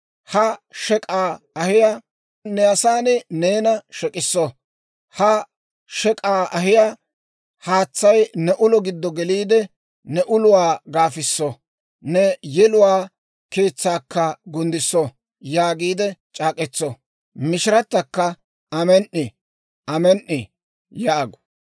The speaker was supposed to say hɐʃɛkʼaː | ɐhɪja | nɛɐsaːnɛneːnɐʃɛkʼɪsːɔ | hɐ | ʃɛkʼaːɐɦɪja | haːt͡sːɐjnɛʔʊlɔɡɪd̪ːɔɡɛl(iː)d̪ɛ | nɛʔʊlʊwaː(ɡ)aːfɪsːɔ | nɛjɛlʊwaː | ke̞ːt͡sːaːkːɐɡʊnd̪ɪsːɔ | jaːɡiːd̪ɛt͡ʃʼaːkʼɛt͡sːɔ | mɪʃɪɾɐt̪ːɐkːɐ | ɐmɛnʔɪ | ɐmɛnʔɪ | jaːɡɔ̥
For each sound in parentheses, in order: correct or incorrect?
correct, correct

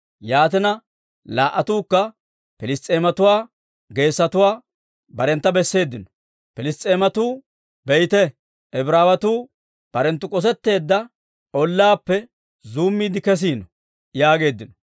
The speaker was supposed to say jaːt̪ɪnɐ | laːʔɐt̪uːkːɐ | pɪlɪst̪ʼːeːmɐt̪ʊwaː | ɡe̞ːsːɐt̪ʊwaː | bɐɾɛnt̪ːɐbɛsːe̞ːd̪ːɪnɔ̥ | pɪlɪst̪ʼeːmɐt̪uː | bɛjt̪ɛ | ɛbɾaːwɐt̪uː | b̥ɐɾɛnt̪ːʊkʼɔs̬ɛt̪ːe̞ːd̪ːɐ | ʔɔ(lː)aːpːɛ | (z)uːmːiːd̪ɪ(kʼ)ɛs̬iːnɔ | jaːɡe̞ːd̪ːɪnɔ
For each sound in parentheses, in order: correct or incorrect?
correct, correct, incorrect: k

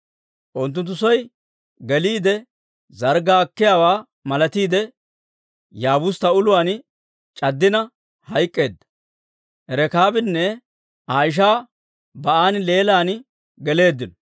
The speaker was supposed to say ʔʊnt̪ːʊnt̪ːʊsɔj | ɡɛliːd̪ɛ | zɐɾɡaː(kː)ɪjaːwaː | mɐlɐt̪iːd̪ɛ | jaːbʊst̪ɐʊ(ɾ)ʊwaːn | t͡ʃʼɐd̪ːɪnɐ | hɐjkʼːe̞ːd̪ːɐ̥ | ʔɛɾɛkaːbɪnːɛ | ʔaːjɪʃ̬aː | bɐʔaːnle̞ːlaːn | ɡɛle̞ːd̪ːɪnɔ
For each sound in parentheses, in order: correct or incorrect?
correct, incorrect: l

